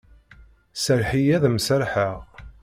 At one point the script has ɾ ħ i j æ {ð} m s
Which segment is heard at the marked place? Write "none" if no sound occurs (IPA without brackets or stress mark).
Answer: ð